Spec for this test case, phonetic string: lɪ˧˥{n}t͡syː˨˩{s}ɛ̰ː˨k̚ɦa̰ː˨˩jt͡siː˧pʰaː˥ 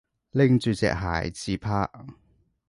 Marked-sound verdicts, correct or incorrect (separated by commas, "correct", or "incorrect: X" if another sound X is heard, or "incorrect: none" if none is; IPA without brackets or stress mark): incorrect: ŋ, incorrect: t͡s